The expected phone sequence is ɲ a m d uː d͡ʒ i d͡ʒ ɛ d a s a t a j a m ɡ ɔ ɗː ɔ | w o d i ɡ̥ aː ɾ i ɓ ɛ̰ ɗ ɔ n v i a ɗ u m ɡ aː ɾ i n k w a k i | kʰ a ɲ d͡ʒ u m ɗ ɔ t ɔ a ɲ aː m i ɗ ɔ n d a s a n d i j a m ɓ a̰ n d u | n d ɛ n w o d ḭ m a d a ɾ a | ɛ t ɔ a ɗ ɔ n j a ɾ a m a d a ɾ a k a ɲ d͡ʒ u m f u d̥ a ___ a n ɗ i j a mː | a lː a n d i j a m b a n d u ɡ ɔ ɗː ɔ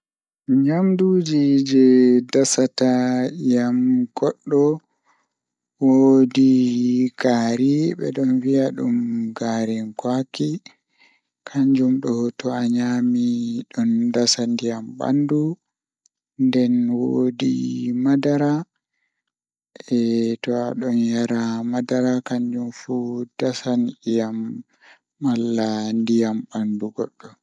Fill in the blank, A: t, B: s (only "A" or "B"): B